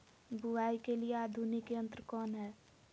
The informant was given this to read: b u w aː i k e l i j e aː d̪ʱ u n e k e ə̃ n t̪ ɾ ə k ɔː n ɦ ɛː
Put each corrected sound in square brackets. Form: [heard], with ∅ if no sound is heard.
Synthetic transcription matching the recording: b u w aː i k e l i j e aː d̪ʱ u n [i] k e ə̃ n t̪ ɾ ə k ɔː n ɦ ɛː